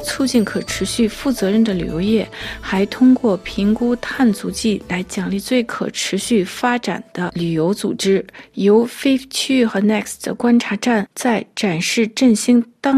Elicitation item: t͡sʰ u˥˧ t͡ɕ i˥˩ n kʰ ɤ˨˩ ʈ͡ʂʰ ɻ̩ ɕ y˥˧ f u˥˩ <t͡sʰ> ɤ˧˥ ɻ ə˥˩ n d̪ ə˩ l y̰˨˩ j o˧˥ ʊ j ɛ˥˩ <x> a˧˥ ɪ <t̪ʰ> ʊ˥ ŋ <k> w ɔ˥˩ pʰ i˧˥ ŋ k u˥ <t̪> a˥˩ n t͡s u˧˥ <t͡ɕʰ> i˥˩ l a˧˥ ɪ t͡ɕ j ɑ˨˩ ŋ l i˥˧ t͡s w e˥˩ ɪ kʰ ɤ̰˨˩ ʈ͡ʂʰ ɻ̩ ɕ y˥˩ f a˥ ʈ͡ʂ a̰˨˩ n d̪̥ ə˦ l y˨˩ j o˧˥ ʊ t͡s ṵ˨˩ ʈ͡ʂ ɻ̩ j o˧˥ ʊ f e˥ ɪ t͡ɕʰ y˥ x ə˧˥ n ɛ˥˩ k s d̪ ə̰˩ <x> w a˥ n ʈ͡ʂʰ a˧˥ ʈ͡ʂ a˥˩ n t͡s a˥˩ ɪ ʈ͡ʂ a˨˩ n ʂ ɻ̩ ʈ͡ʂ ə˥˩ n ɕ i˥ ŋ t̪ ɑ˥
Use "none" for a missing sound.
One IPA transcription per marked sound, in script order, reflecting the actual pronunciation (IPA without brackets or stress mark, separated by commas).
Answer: t͡s, x, t̪ʰ, k, t̪ʰ, t͡ɕ, k